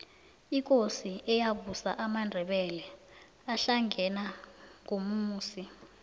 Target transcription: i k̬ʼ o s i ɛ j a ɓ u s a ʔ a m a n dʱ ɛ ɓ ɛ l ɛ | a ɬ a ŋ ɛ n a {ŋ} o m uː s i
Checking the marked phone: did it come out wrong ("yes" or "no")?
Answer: no